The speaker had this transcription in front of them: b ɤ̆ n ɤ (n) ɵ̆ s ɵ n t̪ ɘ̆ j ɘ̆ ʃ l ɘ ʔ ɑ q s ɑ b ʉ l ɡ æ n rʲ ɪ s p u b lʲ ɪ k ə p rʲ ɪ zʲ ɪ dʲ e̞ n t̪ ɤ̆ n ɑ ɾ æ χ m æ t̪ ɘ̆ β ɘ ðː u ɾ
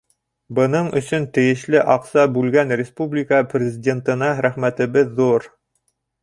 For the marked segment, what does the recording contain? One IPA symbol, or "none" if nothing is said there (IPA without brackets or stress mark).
ɴ